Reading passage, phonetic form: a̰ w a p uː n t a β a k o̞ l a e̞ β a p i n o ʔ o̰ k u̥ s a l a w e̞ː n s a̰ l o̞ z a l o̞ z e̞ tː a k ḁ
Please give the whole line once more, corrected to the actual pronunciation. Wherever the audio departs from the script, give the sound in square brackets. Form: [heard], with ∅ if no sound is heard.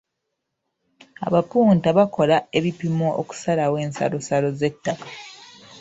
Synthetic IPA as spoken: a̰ [β] a p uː n t a β a k o̞ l a e̞ β [i] p i [m] o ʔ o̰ k u̥ s a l a w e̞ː n s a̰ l o̞ [s] a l o̞ z e̞ tː a k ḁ